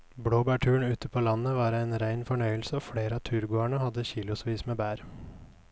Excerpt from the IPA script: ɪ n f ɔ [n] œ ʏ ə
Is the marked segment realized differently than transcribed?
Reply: yes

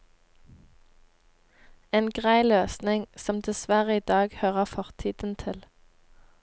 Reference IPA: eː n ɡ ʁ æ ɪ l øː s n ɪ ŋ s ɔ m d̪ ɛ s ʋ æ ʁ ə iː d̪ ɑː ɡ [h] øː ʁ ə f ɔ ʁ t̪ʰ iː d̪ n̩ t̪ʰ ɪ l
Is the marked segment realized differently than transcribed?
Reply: no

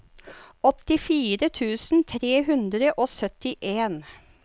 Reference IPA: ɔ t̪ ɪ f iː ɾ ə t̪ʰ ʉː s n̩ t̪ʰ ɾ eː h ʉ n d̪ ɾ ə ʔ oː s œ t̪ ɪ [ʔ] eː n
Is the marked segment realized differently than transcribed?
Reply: no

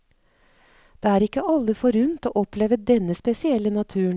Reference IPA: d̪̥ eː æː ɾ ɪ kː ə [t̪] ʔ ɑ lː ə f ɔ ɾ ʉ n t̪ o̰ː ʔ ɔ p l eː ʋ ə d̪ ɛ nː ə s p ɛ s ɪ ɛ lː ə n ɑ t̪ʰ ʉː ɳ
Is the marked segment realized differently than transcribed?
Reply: yes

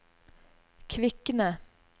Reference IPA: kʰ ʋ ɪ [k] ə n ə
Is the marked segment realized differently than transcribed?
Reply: no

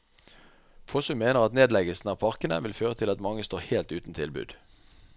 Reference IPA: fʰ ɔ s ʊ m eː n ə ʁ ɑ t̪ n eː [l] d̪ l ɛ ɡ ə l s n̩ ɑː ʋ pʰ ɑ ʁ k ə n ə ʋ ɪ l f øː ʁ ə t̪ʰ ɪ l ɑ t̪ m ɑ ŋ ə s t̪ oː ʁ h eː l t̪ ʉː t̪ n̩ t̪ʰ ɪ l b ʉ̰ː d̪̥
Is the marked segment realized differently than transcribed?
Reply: yes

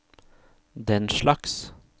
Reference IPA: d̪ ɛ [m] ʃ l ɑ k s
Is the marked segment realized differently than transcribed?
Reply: yes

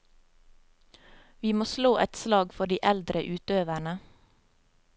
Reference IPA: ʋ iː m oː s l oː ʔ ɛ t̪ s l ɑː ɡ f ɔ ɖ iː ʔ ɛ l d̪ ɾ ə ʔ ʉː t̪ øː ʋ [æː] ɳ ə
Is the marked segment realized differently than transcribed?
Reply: yes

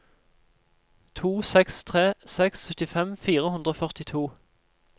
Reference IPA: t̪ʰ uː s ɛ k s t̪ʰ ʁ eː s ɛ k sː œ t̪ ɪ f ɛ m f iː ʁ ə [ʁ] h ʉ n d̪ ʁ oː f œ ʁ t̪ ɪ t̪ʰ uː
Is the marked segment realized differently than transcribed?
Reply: yes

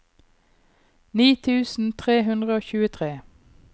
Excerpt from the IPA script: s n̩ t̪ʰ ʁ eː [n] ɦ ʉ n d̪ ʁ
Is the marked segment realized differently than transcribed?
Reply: yes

